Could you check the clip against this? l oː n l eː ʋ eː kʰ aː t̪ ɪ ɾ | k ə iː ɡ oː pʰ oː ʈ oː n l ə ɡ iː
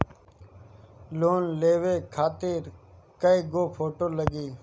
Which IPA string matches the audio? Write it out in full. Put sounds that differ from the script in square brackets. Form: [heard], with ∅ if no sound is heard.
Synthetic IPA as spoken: l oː n l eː ʋ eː kʰ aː t̪ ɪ ɾ | k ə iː ɡ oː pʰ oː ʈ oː [∅] l ə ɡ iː